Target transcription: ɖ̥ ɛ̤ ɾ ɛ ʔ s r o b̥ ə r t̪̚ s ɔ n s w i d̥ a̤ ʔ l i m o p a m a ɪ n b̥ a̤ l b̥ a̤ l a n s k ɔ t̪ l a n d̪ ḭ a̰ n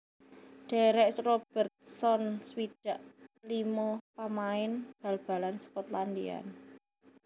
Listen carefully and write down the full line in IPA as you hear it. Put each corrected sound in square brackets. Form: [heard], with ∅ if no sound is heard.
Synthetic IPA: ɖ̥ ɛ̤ ɾ ɛ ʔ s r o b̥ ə r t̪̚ s ɔ n s w i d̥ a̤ ʔ l i m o p a m a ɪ n b̥ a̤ l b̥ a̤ l a n s k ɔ t̪ l a n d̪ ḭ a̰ n

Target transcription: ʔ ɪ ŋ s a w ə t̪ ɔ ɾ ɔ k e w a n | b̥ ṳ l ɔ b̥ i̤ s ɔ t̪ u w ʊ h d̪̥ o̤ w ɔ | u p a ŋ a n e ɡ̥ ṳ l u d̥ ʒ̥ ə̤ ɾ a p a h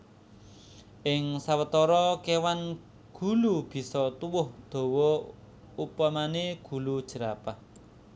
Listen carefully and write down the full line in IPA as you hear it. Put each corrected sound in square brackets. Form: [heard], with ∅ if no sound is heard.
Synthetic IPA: ʔ ɪ ŋ s a w ə t̪ ɔ ɾ ɔ k e w a n | [ɡ̥] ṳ l [u] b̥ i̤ s ɔ t̪ u w ʊ h d̪̥ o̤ w ɔ | u p a [m] a n e ɡ̥ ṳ l u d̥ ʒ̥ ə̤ ɾ a p a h

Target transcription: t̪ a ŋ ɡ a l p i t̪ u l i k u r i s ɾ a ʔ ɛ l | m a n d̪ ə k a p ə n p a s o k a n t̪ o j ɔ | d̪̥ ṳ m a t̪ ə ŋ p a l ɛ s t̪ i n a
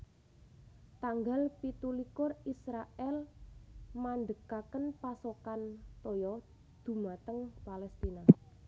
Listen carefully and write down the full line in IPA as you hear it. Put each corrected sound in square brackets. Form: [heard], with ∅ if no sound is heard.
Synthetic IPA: t̪ a ŋ ɡ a l p i t̪ u l i k [ʊ] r i s ɾ a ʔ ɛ l | m a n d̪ ə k a [k] ə n p a s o k a n t̪ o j ɔ | d̪̥ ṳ m a t̪ ə ŋ p a l ɛ s t̪ i n a

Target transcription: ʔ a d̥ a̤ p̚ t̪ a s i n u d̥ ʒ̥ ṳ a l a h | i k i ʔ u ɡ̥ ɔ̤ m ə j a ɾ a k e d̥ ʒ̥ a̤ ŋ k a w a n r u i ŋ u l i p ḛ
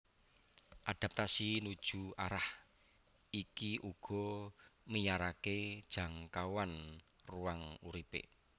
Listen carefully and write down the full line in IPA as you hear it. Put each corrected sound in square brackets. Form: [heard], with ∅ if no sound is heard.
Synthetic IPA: ʔ a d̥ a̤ p̚ t̪ a s i n u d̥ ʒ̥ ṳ a [ɾ] a h | i k i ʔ u ɡ̥ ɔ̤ m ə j a ɾ a k e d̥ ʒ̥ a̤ ŋ k a w a n r u [a] ŋ u [ɾ] i p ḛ

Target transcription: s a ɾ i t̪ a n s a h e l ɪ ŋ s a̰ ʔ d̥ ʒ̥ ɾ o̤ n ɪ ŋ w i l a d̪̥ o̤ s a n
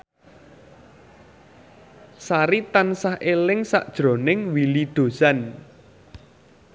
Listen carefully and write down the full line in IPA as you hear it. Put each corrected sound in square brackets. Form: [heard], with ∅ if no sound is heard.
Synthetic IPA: s a ɾ i t̪ a n s a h e l ɪ ŋ s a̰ ʔ d̥ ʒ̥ ɾ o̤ n ɪ ŋ w i l [i] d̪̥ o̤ s a n

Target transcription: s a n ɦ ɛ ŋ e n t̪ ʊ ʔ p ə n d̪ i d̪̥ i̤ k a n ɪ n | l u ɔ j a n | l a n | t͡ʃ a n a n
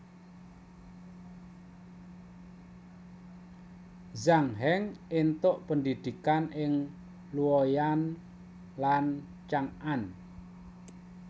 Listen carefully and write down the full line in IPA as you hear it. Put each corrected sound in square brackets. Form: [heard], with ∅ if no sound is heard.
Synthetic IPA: [z] a [ŋ] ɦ ɛ ŋ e n t̪ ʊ ʔ p ə n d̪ i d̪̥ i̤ k a n ɪ [ŋ] | l u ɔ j a n | l a n | t͡ʃ a [ŋ] a n

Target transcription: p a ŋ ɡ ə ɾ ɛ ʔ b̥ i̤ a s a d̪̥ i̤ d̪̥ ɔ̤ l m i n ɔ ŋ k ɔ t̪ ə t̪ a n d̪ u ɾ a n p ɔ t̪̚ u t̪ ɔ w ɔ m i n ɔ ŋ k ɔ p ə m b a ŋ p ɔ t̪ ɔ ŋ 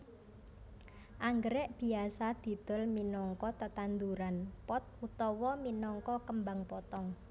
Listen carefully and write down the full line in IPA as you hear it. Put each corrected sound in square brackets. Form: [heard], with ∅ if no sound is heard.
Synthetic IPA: [ʔ] a ŋ ɡ ə ɾ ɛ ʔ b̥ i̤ a s a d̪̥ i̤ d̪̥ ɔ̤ l m i n ɔ ŋ k ɔ t̪ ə t̪ a n d̪ u ɾ a n p ɔ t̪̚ u t̪ ɔ w ɔ m i n ɔ ŋ k ɔ [k] ə m b a ŋ p ɔ t̪ ɔ ŋ

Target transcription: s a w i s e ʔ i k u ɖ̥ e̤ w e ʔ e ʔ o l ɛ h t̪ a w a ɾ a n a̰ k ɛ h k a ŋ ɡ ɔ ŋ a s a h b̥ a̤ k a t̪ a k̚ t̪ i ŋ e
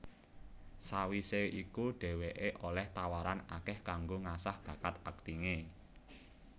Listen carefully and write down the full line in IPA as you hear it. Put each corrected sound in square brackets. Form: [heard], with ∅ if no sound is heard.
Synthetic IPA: s a w i s e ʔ i k u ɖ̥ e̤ w e ʔ e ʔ o l ɛ h t̪ a w a ɾ a n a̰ k ɛ h k a ŋ ɡ [o] ŋ a s a h b̥ a̤ k a t̪ a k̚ t̪ i ŋ e

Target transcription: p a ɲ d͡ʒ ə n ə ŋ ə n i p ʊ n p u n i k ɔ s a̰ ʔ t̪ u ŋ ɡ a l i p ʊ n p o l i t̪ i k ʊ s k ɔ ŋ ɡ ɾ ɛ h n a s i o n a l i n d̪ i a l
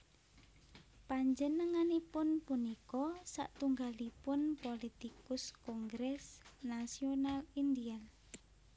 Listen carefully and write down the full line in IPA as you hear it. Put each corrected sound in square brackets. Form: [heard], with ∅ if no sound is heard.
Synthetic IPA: p a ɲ d͡ʒ ə n ə ŋ [a] n i p ʊ n p u n i k ɔ s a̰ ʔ t̪ u ŋ ɡ a l i p ʊ n p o l i t̪ i k ʊ s k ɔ ŋ ɡ ɾ ɛ [s] n a s i o n a l i n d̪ i a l

